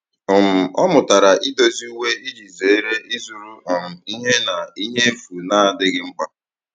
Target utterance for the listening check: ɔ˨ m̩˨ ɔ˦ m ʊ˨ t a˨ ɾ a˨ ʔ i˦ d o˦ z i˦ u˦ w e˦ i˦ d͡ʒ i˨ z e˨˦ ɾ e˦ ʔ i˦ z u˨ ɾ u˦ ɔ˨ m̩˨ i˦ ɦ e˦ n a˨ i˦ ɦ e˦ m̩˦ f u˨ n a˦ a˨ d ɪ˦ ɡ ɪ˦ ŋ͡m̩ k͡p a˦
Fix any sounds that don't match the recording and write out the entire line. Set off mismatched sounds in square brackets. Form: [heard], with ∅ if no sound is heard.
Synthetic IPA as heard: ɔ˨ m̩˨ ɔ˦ m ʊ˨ t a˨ ɾ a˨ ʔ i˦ d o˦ z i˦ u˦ w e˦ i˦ d͡ʒ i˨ z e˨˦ ɾ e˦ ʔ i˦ z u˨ ɾ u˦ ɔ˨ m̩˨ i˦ ɦ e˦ n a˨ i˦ ɦ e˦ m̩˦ f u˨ n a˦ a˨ d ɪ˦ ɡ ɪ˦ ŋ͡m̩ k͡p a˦